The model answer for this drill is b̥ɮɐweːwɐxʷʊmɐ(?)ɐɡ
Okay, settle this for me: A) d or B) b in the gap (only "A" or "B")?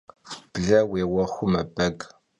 B